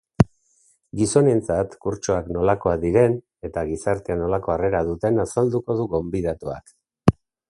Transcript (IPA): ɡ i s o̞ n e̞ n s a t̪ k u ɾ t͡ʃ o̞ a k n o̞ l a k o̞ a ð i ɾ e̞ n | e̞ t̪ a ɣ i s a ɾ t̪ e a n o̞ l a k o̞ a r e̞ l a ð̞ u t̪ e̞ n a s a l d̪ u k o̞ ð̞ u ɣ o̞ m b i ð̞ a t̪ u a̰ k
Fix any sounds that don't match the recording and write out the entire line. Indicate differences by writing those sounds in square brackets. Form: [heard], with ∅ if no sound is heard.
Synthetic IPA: ɡ i s o̞ n e̞ n [t͡s] a t̪ k u ɾ t͡ʃ o̞ a k n o̞ l a k o̞ a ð i ɾ e̞ n | e̞ t̪ a ɣ i s a ɾ t̪ e a n o̞ l a k o̞ a r e̞ [ɾ] a ð̞ u t̪ e̞ n a s a l d̪ u k o̞ ð̞ u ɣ o̞ m b i ð̞ a t̪ u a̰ k